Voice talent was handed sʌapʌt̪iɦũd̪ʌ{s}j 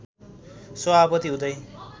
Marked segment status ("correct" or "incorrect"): incorrect